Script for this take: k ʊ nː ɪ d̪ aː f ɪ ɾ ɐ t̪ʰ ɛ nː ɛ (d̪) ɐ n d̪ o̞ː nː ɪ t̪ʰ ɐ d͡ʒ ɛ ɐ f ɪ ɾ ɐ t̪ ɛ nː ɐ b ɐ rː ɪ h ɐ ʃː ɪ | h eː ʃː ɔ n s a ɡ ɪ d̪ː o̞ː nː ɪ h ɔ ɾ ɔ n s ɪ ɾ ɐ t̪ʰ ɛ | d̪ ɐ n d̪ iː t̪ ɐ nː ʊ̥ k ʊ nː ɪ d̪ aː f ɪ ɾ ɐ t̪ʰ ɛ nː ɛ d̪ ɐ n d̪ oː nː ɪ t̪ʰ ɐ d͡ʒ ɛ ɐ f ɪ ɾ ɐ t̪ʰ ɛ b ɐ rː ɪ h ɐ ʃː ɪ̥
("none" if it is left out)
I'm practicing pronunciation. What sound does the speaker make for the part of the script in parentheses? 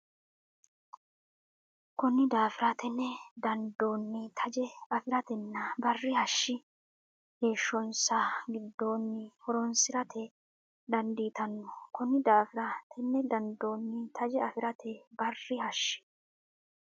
d̪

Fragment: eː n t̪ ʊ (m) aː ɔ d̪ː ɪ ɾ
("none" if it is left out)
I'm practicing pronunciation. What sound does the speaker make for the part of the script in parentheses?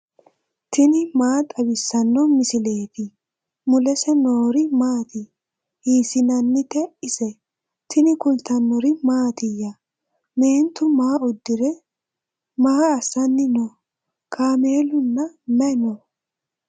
m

